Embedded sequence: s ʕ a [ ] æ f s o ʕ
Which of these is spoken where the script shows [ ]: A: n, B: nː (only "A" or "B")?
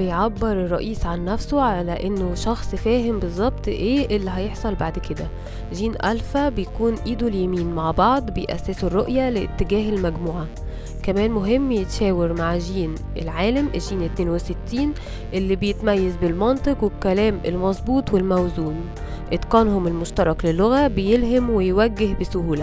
B